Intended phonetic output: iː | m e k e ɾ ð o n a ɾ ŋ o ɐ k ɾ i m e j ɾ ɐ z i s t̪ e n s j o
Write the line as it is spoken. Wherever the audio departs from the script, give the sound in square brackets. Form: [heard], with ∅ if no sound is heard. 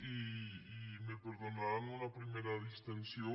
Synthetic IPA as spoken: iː | m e [p] e ɾ ð o n a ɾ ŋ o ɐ [p] ɾ i m e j ɾ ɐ [ð] i s t̪ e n s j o